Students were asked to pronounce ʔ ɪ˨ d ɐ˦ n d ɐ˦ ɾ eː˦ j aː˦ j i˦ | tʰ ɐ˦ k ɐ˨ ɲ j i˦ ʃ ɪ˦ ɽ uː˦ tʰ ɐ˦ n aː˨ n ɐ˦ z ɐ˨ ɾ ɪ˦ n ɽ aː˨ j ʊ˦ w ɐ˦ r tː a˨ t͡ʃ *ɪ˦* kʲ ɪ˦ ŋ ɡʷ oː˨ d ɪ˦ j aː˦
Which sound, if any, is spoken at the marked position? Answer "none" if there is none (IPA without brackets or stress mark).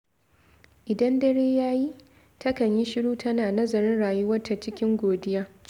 ɪ˦